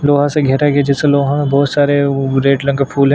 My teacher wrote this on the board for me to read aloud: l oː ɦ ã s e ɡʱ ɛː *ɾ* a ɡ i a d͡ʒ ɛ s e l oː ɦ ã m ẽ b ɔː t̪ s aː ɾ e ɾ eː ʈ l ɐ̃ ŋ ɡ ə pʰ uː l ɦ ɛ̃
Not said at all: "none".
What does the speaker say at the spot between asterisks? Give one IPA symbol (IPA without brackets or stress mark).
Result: ɾ